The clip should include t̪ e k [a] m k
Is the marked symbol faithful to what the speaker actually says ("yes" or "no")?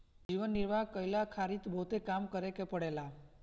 yes